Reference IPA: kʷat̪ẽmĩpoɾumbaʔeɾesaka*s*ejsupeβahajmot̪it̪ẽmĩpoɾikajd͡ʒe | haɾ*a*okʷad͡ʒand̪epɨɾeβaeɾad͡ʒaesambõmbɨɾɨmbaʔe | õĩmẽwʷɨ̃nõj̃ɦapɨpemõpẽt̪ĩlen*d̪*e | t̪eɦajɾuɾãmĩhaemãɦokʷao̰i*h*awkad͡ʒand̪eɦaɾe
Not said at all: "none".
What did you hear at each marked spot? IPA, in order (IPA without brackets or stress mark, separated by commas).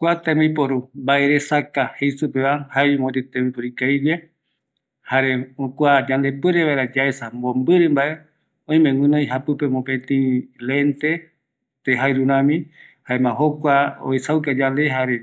h, e, t̪, s